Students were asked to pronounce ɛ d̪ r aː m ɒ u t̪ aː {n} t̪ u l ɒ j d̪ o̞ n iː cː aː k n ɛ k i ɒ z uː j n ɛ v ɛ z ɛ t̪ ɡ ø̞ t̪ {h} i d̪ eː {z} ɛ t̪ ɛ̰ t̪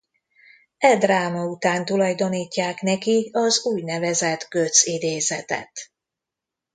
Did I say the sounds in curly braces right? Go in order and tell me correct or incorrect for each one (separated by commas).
correct, incorrect, correct